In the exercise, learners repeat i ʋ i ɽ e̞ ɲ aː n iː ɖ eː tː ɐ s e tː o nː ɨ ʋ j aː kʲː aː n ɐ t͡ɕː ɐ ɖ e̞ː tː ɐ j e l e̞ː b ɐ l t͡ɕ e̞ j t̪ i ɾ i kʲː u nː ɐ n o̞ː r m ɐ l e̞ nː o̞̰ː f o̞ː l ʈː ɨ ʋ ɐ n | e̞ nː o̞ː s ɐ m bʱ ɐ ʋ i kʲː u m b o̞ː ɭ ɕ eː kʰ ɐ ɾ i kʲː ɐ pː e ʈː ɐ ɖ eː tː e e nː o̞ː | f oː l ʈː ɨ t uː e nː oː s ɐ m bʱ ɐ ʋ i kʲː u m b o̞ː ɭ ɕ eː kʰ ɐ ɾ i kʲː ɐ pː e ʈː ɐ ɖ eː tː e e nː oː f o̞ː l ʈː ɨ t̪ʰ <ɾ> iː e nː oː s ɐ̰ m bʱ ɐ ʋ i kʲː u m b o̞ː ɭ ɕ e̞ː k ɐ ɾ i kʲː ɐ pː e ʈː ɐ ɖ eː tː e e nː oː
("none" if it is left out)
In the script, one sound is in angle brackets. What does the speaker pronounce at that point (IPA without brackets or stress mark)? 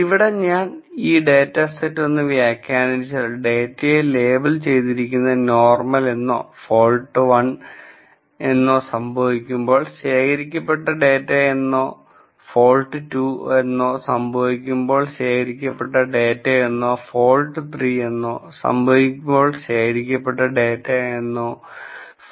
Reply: r